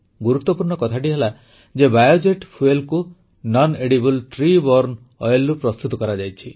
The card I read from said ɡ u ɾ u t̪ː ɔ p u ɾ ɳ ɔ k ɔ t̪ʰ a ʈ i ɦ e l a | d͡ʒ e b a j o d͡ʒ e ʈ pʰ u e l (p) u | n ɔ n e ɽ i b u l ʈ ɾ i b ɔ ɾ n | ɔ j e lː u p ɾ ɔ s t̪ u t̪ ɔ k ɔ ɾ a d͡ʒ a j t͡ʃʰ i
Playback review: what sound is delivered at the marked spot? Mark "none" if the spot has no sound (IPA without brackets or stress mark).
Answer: k